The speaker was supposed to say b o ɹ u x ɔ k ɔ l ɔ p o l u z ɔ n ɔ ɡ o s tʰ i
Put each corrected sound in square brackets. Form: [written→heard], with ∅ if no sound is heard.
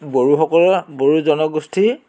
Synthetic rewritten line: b o ɹ u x ɔ k ɔ l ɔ [p→b] o [l→ɹ] u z ɔ n ɔ ɡ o s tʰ i